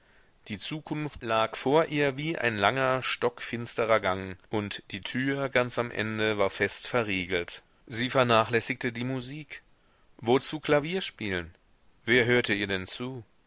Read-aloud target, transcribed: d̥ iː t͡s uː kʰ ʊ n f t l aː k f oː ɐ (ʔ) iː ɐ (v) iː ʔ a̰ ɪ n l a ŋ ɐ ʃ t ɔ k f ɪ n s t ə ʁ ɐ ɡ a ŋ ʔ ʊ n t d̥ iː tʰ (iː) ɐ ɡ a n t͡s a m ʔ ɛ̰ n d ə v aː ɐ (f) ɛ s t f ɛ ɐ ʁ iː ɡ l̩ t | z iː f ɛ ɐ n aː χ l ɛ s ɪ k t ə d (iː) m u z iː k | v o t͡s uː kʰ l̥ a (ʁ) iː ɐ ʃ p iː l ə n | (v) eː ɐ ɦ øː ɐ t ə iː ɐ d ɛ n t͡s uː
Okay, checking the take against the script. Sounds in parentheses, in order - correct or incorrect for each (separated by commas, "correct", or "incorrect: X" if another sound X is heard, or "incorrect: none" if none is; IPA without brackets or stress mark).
correct, correct, incorrect: yː, correct, correct, incorrect: v, correct